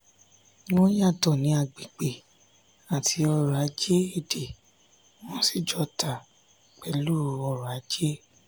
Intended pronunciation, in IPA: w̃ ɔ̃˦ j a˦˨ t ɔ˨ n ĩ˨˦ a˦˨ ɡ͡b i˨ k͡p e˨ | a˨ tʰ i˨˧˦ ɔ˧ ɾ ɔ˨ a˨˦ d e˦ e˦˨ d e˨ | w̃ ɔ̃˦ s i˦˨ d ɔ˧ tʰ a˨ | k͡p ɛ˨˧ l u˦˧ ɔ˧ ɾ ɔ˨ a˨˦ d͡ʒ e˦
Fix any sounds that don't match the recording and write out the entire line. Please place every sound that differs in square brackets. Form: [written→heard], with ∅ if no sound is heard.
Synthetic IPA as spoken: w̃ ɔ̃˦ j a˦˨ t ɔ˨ n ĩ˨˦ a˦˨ ɡ͡b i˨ k͡p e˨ | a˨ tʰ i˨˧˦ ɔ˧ ɾ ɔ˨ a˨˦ [d→d͡ʒ] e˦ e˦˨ d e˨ | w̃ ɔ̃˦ s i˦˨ [d→d͡ʒ] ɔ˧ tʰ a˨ | k͡p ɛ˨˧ l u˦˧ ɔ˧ ɾ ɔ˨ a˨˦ d͡ʒ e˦